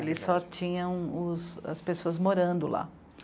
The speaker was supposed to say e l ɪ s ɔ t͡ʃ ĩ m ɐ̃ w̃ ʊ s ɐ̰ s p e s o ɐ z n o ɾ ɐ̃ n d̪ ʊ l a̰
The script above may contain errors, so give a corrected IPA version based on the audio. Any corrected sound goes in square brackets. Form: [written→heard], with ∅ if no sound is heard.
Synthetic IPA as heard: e l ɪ s ɔ t͡ʃ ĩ [m→ɲ] ɐ̃ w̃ ʊ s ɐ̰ s p e s o ɐ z [n→m] o ɾ ɐ̃ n d̪ ʊ l a̰